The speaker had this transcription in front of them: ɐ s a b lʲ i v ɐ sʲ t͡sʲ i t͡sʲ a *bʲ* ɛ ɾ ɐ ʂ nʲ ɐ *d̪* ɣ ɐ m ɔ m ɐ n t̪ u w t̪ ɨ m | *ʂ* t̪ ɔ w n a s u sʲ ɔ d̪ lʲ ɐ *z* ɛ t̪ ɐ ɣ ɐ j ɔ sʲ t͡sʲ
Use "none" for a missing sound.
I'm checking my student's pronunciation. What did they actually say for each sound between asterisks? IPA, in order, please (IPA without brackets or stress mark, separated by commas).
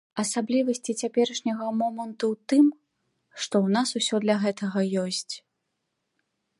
pʲ, none, ʂ, ɣ